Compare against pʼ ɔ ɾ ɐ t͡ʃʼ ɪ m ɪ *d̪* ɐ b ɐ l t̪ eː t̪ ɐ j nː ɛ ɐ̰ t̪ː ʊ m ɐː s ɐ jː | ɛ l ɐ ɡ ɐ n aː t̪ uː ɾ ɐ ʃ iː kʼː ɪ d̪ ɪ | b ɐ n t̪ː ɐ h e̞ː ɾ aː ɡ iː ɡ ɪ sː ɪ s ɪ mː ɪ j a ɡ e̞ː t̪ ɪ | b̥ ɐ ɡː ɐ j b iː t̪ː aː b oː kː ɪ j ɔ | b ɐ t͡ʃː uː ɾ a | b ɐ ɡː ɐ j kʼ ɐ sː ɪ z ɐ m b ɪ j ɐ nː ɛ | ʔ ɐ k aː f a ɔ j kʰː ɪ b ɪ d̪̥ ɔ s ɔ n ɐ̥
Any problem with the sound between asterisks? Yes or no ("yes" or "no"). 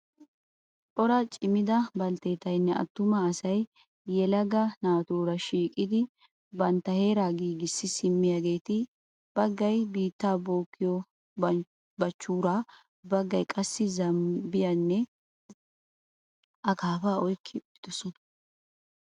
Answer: no